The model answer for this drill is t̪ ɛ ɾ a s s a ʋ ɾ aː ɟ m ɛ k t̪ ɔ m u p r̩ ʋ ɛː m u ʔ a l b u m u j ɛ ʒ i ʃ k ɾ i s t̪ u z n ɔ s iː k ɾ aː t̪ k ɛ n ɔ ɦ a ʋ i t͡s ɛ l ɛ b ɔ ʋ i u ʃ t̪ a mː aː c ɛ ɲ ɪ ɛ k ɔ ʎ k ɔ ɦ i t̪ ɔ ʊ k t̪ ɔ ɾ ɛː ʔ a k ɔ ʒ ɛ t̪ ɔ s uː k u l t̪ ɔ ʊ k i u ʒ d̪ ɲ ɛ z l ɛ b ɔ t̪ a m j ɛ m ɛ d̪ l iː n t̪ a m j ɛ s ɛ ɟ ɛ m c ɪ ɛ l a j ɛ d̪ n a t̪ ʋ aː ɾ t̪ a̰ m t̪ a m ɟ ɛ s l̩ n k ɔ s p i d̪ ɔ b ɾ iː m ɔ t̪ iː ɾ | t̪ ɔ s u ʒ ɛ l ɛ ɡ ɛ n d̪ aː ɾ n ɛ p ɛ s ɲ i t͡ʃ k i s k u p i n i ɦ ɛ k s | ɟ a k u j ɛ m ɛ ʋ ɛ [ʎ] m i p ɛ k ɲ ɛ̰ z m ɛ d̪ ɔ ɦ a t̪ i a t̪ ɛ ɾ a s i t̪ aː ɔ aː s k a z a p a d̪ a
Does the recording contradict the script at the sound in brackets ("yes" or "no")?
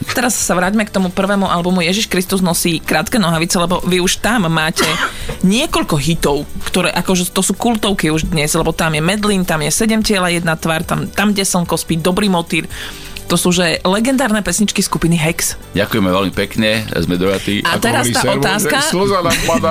yes